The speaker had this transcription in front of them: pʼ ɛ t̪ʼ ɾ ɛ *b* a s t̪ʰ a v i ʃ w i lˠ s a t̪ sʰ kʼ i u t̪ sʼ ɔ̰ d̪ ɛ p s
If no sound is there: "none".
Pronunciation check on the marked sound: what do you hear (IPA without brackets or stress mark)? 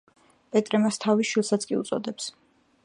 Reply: m